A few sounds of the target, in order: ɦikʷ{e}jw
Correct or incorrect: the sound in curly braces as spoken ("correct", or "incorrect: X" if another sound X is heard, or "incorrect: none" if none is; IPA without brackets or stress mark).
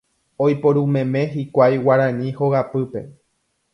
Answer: incorrect: a